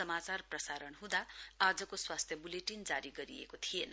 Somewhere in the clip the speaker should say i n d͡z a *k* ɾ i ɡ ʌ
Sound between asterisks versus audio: incorrect: none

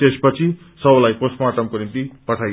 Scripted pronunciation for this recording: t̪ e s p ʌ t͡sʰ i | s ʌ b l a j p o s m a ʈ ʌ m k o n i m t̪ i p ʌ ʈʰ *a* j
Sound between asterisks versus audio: correct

